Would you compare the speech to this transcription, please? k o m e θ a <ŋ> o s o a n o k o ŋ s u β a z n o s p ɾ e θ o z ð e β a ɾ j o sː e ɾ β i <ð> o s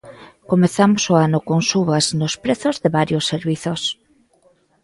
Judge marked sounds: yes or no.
no, no

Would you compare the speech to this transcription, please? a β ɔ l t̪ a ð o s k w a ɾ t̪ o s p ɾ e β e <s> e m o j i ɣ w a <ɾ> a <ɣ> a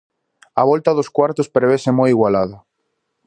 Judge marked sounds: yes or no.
yes, no, no

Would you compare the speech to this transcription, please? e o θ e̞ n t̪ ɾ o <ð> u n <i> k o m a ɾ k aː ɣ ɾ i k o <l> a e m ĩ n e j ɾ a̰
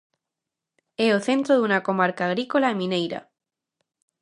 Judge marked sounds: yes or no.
yes, no, yes

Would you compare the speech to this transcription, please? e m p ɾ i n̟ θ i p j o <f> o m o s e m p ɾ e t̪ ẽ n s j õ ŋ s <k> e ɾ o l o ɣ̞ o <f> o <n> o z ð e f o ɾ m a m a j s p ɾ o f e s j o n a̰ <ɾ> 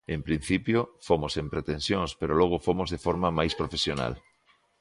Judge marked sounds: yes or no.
yes, no, yes, no, no

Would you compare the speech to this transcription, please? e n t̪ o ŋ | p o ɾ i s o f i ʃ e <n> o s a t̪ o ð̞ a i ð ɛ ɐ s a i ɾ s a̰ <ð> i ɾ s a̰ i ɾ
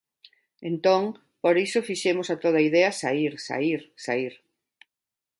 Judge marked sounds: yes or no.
no, no

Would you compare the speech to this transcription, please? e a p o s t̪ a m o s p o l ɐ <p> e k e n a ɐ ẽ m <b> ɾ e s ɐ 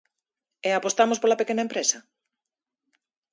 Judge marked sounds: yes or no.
yes, no

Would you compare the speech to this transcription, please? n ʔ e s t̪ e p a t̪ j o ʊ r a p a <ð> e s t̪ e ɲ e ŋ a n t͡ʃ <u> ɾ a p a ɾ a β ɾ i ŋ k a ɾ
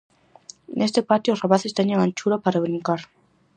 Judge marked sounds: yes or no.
no, yes

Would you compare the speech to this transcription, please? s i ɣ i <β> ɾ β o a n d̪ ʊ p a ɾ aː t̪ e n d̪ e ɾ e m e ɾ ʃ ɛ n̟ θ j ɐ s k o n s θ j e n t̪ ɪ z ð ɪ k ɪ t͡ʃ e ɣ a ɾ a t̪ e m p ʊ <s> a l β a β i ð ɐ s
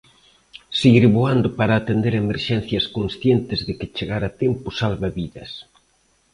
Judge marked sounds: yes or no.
no, yes

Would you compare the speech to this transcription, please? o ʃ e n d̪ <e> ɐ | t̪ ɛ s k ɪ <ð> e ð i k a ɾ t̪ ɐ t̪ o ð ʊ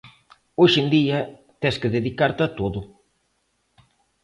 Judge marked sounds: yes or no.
no, yes

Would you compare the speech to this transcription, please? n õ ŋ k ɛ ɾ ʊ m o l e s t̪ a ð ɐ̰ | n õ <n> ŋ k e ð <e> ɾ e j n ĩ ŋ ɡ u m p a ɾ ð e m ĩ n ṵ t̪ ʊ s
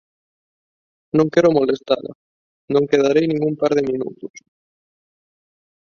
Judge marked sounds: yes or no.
no, no

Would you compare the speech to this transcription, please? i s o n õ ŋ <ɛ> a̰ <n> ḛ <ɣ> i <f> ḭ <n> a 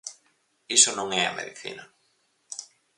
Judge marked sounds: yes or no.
yes, no, no, no, yes

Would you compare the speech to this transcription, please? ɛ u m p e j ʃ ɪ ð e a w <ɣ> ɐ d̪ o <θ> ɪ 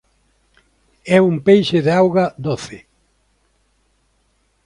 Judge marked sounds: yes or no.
yes, yes

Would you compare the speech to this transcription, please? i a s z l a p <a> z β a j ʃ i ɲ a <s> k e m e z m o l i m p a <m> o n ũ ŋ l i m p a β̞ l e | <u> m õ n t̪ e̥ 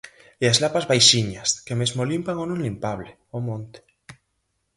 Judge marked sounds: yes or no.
yes, yes, no, no

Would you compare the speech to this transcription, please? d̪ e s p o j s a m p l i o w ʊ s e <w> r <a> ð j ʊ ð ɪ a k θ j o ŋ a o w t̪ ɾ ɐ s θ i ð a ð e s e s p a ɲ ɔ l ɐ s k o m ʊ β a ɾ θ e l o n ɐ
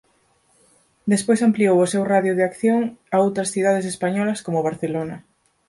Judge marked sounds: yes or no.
yes, yes

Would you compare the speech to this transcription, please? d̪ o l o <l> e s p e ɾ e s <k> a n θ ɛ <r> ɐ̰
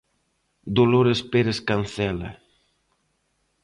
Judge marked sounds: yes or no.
no, yes, no

